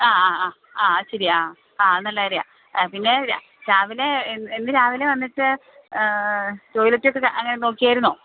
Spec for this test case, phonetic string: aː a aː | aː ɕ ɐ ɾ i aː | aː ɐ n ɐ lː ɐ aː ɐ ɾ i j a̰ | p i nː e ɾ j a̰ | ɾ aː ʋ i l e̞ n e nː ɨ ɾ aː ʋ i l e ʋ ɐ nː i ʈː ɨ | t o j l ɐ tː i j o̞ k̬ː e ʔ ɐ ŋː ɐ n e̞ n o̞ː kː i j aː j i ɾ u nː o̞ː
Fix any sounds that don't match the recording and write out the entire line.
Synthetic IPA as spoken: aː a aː | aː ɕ ɐ ɾ i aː | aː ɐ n ɐ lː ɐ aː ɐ ɾ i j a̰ | p i nː e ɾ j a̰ | ɾ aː ʋ i l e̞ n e nː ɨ ɾ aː ʋ i l e ʋ ɐ nː i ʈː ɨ | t o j l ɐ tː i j o̞ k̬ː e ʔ ɐ ŋː ɐ n e̞ n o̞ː kː i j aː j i ɾ u nː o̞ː

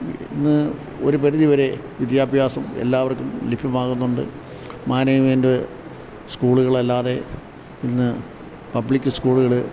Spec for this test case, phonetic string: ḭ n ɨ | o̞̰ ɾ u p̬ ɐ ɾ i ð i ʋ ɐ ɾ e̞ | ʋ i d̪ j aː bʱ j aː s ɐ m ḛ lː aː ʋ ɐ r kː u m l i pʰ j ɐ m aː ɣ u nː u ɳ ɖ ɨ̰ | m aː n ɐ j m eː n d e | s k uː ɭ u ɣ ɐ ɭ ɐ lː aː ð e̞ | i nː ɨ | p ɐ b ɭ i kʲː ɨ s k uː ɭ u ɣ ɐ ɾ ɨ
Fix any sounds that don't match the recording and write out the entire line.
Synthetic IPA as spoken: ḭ nː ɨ | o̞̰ ɾ u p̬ ɐ ɾ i ð i ʋ ɐ ɾ e̞ | ʋ i d̪ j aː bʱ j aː s ɐ m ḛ lː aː ʋ ɐ r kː u m l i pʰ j ɐ m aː ɣ u nː u ɳ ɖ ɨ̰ | m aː n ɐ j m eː n d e | s k uː ɭ u ɣ ɐ ɭ ɐ lː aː ð e̞ | i nː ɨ | p ɐ b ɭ i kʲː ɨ s k uː ɭ u ɣ ɐ ɭ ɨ

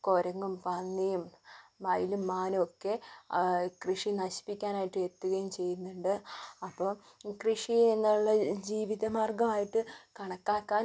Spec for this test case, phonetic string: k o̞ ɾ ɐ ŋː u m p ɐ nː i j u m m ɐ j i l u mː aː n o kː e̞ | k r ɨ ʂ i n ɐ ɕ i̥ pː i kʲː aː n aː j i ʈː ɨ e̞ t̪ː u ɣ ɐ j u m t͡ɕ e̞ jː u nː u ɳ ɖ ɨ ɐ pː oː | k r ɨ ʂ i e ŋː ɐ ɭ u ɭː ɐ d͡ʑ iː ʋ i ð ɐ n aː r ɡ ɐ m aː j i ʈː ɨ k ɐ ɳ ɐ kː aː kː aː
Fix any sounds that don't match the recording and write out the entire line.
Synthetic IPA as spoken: k o̞ ɾ ɐ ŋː u m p ɐ nː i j u m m ɐ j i l u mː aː n o kː e̞ | k r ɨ ʂ i n ɐ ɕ i̥ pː i kʲː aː n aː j i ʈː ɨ e̞ t̪ː u ɣ ɐ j u m t͡ɕ e̞ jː u nː u ɳ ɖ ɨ ɐ pː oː | k r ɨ ʂ i e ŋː ɐ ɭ u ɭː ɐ d͡ʑ iː ʋ i ð ɐ m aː r ɡ ɐ m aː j i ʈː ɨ k ɐ ɳ ɐ kː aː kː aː

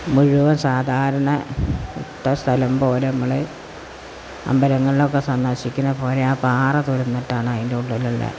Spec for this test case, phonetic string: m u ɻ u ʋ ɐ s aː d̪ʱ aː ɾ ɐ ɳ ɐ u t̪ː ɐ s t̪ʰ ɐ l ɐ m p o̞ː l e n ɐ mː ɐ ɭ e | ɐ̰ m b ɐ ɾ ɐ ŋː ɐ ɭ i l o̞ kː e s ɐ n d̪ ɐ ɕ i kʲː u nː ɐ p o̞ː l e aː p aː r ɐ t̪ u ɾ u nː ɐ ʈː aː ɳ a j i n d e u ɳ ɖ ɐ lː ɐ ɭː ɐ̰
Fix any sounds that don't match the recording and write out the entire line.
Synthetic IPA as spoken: m u ɻ u ʋ ɐ s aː d̪ʱ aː ɾ ɐ ɳ ɐ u t̪ː ɐ s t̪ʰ ɐ l ɐ m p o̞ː l e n ɐ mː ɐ ɭ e | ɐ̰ m b ɐ ɾ ɐ ŋː ɐ ɭ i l o̞ kː e s ɐ n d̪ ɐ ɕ i kʲː u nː ɐ p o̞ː l e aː p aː r ɐ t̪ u ɾ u nː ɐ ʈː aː ɳ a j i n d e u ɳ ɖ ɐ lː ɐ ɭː ɐ̰

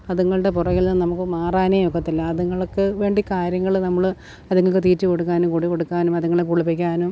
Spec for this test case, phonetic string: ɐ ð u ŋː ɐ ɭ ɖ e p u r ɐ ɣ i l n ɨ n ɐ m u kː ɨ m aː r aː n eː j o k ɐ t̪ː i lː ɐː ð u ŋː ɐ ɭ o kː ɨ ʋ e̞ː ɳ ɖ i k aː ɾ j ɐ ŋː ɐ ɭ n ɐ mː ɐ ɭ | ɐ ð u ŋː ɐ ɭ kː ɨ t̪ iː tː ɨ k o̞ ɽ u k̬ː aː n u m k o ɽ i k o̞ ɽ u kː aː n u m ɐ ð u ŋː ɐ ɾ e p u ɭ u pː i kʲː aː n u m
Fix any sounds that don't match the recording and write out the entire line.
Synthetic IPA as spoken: ɐ ð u ŋː ɐ ɭ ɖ e p u r ɐ ɣ i l n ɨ n ɐ m u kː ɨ m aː r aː n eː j o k ɐ t̪ː i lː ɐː ð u ŋː ɐ ɭ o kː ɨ ʋ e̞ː ɳ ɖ i k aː ɾ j ɐ ŋː ɐ ɭ n ɐ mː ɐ ɭ | ɐ ð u ŋː ɐ ɭ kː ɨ t̪ iː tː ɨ k o̞ ɽ u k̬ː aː n u m k o ɽ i k o̞ ɽ u kː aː n u m ɐ ð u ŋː ɐ ɭ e k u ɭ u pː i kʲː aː n u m

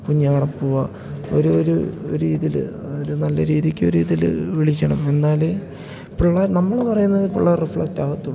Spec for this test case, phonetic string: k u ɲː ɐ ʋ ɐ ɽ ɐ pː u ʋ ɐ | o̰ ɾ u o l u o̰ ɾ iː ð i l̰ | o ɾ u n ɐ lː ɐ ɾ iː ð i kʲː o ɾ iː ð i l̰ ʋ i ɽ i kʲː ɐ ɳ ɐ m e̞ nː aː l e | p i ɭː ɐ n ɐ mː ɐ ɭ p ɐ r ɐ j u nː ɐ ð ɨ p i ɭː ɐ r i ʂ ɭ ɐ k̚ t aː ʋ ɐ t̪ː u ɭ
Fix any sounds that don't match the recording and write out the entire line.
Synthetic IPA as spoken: k u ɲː ɐ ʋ ɐ ɽ ɐ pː u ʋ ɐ | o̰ ɾ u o ɾ u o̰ ɾ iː ð i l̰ | o ɾ u n ɐ lː ɐ ɾ iː ð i kʲː o ɾ iː ð i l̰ ʋ i ɭ i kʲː ɐ ɳ ɐ m e̞ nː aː l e | p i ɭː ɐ n ɐ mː ɐ ɭ p ɐ r ɐ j u nː ɐ ð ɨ p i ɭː ɐ r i f ɭ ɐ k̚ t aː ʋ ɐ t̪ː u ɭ

